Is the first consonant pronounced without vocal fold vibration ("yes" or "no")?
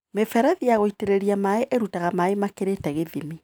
no